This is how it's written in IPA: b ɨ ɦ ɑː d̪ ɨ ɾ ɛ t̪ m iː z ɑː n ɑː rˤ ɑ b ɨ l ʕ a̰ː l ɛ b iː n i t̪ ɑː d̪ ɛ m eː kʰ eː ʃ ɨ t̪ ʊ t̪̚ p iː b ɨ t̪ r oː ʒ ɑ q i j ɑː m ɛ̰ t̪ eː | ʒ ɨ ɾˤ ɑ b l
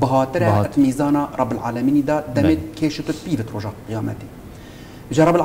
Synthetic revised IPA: b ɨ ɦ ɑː t̪ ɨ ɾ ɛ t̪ m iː z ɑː n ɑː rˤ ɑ b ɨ l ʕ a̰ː l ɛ m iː n i d̪ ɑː d̪ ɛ m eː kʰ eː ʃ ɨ t̪ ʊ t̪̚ p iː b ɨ t̪ r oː ʒ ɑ q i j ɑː m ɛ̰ t̪ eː | ʒ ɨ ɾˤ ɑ b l